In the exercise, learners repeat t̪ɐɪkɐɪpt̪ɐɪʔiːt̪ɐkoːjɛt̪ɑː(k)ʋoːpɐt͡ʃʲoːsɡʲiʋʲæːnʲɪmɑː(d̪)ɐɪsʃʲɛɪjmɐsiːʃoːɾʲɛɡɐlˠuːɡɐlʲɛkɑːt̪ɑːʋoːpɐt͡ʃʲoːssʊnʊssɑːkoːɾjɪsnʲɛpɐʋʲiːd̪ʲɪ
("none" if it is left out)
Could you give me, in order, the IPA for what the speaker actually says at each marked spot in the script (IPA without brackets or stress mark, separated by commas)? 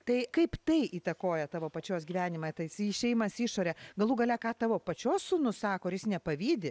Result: none, t̪